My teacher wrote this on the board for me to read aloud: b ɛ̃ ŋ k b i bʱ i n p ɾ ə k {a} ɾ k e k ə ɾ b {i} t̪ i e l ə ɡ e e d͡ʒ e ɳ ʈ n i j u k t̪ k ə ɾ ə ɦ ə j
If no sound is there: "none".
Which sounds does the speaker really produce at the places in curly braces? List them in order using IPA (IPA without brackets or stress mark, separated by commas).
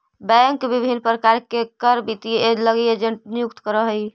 a, i